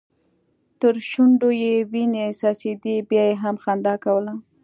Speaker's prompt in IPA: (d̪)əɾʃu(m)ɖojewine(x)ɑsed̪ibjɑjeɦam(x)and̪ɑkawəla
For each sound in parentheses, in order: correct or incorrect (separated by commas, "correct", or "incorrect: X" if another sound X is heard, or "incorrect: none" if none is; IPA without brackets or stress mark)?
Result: incorrect: t̪, incorrect: ɳ, incorrect: s, correct